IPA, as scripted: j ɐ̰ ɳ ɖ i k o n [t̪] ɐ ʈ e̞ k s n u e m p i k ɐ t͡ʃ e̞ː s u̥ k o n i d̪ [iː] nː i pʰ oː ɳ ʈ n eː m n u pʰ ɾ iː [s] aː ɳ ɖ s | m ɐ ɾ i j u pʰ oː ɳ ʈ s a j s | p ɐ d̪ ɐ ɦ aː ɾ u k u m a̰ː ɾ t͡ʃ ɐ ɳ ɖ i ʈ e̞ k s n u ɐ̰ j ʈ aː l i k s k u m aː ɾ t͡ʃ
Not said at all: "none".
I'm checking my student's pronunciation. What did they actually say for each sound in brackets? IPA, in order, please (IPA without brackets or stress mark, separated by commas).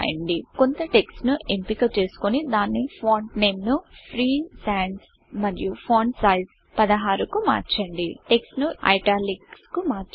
t̪, aː, s